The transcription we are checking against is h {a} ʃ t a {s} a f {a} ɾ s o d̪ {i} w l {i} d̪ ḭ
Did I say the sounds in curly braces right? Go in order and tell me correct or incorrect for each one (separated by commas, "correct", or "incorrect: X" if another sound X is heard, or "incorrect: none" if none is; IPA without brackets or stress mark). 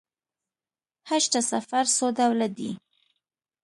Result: correct, correct, correct, incorrect: a, incorrect: a